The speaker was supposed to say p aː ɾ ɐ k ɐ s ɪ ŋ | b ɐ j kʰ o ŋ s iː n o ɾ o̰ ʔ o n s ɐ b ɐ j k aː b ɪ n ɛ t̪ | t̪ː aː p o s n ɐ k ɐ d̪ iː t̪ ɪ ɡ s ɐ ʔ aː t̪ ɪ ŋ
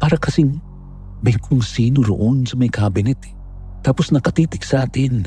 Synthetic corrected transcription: p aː ɾ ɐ k ɐ s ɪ ŋ | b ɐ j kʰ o ŋ s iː n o ɾ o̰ ʔ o n s ɐ m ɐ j k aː b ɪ n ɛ t̪ | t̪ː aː p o s n ɐ k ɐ t̪ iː t̪ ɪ k s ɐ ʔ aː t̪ ɪ n